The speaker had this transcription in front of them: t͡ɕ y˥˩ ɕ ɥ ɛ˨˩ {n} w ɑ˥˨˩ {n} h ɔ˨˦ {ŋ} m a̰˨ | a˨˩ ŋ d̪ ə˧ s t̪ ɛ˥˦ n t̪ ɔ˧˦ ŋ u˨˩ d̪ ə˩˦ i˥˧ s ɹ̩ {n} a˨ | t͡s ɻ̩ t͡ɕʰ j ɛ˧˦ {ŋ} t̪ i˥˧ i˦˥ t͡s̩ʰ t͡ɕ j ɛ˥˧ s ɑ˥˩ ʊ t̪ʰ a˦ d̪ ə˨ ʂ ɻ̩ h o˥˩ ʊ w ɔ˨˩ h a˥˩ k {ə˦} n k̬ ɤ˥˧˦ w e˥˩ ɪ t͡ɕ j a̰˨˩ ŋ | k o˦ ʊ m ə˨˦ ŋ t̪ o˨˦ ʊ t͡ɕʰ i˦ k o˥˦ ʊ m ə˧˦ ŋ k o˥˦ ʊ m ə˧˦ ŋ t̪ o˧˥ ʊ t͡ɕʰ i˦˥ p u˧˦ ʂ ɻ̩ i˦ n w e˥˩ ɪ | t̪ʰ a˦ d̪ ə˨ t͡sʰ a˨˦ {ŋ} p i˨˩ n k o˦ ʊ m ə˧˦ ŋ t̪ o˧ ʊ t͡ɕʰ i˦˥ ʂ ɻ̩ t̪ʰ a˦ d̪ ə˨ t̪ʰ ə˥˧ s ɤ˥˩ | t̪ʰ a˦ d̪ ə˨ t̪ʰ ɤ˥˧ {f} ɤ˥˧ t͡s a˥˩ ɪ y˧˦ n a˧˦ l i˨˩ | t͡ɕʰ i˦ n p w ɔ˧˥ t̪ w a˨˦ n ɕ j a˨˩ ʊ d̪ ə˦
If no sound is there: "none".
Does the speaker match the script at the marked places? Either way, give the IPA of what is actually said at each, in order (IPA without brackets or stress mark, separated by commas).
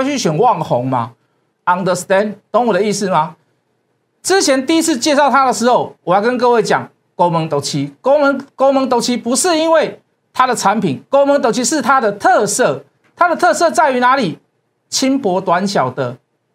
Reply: n, ŋ, ŋ, m, n, ə˦, n, s